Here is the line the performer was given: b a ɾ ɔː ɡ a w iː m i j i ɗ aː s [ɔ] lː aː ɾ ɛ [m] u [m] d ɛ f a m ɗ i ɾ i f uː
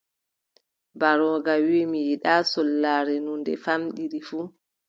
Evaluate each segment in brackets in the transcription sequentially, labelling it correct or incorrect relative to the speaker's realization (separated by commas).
correct, incorrect, incorrect